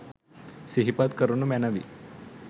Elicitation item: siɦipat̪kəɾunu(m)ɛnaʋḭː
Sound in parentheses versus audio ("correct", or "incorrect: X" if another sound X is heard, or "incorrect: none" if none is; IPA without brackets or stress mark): correct